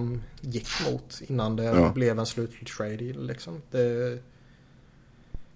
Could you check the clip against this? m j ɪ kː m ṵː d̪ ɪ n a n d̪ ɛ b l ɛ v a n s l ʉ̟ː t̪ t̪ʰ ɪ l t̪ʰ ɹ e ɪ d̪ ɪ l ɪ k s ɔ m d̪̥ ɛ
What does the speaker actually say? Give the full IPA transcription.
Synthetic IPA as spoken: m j ɪ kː m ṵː t̪ ɪ nː a n d̪ ɛ b l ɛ v ɛ n s l ʉ̟ː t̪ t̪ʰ ɪ l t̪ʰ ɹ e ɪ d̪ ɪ l ɪ k s ɔ m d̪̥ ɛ